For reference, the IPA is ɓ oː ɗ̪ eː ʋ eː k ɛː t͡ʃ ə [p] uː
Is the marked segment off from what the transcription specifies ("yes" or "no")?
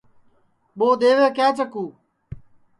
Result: yes